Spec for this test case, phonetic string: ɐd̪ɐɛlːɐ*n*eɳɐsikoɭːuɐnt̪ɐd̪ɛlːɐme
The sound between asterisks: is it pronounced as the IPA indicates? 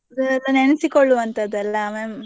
yes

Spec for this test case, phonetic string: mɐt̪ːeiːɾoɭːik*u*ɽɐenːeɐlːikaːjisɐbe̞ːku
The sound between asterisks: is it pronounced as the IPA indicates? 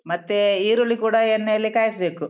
no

